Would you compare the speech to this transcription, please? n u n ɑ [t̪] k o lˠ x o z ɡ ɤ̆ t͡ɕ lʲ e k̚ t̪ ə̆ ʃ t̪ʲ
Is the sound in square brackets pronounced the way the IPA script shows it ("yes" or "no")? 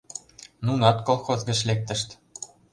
yes